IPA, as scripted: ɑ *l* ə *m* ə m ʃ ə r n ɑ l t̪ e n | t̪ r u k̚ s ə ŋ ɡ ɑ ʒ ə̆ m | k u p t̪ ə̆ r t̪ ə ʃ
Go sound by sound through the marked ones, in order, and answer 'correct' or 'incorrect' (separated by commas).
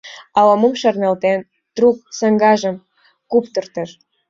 correct, correct